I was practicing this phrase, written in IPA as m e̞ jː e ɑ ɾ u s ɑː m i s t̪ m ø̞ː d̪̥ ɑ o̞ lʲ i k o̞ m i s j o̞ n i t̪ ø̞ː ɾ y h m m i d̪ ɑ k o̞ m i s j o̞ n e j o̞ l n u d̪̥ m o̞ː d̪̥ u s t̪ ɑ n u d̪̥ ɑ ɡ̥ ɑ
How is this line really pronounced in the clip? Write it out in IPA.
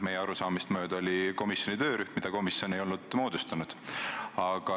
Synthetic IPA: m e̞ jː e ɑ ɾ u s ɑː m i s t̪ m ø̞ː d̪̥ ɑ o̞ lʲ i k o̞ m i s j o̞ n i t̪ ø̞ː ɾ y h m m i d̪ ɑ k o̞ m i s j o̞ n e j o̞ l n u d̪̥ m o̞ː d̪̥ u s t̪ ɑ n u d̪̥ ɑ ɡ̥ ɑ